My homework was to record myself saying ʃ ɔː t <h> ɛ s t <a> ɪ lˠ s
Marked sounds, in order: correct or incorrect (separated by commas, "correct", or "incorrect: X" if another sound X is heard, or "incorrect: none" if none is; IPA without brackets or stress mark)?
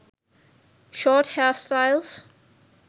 correct, correct